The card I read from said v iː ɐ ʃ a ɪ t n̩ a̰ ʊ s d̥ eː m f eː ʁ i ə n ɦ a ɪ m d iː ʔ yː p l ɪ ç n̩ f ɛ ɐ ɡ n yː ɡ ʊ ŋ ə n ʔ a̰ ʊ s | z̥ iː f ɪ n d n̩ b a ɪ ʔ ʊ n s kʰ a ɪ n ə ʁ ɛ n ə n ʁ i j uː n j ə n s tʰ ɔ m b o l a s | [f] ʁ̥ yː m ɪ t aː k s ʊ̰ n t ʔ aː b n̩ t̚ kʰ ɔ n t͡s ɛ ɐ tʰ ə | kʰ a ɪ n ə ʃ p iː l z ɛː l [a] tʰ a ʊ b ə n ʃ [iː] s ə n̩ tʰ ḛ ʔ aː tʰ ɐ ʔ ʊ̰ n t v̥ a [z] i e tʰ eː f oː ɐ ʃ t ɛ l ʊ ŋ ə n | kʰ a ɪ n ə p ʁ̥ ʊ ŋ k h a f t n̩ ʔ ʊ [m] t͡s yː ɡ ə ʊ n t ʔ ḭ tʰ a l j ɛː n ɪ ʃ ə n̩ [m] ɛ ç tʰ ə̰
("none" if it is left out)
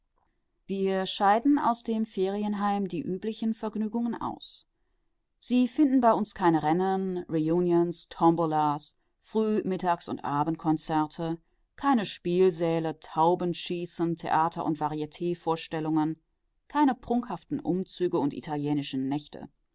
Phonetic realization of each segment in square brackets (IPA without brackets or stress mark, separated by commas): f, ə, iː, ʁ, m, n